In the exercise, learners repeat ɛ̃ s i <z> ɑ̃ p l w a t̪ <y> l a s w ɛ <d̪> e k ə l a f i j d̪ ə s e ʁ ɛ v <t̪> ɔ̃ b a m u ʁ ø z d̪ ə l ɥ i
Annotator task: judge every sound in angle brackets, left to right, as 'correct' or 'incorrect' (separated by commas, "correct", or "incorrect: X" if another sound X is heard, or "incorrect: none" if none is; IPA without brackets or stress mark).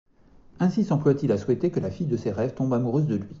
incorrect: s, incorrect: i, incorrect: t̪, correct